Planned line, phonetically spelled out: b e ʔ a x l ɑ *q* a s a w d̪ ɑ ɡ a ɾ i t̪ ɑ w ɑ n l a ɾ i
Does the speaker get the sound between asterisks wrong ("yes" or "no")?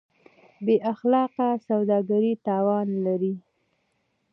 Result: no